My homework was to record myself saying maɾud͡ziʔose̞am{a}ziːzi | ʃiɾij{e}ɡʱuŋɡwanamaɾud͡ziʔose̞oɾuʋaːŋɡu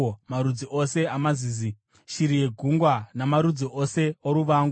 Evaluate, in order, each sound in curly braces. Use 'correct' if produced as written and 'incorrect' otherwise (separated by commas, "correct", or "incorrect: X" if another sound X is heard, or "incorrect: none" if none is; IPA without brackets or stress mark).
correct, correct